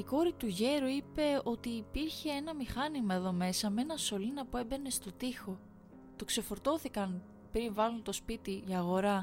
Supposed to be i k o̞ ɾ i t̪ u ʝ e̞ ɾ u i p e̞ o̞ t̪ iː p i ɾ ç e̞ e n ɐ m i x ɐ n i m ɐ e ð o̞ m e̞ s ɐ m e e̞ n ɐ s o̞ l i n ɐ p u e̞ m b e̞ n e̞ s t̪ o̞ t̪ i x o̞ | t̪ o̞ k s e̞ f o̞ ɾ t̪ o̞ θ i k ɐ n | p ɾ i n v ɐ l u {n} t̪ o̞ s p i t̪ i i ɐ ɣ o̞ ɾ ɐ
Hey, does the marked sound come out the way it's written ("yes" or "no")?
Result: yes